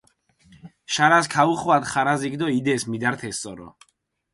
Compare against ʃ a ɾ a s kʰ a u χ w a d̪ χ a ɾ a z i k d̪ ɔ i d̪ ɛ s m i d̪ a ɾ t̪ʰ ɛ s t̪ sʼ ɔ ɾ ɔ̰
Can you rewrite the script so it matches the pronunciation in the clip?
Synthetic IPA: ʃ a ɾ a s kʰ a u χ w a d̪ χ a ɾ a z i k d̪ ɔ i d̪ ɛ s m i d̪ a ɾ t̪ʰ ɛ s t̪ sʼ ɔ ɾ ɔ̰